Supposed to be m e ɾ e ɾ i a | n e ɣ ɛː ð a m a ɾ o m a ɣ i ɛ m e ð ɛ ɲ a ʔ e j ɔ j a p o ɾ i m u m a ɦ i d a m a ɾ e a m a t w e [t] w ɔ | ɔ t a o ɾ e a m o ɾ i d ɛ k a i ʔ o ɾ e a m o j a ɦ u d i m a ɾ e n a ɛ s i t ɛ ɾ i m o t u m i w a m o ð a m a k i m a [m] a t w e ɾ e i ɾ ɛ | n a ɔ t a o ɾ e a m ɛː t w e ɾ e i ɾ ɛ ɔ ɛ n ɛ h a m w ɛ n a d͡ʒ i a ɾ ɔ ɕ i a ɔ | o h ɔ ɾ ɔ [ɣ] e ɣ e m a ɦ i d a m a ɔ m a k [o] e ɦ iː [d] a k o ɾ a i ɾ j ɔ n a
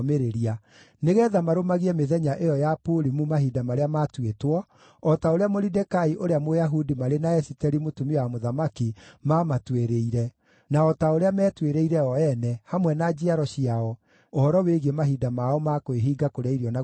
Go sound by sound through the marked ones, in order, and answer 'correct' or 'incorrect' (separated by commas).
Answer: correct, correct, incorrect, correct, incorrect